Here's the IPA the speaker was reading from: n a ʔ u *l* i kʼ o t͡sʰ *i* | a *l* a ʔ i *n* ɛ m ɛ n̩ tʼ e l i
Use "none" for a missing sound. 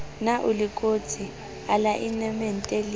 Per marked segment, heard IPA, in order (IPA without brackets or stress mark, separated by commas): l, i, l, n